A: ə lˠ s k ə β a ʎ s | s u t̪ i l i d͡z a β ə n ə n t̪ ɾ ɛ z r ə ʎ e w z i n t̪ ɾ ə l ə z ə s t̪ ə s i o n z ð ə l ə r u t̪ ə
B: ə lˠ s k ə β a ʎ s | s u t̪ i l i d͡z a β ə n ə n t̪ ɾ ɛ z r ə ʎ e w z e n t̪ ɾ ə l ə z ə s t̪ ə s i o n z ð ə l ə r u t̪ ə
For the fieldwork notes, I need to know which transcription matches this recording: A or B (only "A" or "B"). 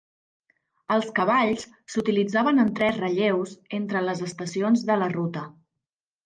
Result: B